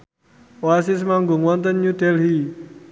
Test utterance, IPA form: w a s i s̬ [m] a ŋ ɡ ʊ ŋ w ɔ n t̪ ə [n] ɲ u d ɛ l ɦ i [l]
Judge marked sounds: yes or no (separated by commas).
yes, yes, no